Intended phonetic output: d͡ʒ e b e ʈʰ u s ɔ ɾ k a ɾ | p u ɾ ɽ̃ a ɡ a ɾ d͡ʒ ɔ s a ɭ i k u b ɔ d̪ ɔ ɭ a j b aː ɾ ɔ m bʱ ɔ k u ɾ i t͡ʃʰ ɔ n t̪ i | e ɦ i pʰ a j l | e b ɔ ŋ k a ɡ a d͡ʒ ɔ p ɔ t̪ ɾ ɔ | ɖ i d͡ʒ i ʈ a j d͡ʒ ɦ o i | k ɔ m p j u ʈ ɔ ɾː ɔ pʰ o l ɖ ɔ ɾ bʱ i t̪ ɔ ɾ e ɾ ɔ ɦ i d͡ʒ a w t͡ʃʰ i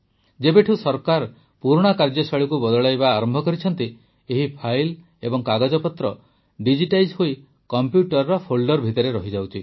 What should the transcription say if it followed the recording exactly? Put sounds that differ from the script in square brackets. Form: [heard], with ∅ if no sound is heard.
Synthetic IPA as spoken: d͡ʒ e b e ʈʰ u s ɔ ɾ k a ɾ | p u ɾ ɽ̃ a [k] a ɾ d͡ʒ ɔ s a ɭ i k u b ɔ d̪ ɔ ɭ a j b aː ɾ ɔ m bʱ ɔ k [ɔ] ɾ i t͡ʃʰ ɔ n t̪ i | e ɦ i pʰ a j l | e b ɔ ŋ k a ɡ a d͡ʒ ɔ p ɔ t̪ ɾ ɔ | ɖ i d͡ʒ i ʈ a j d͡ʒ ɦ o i | k ɔ m p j u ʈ ɔ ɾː ɔ pʰ o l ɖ ɔ ɾ bʱ i t̪ ɔ ɾ e ɾ ɔ ɦ i d͡ʒ a w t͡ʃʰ i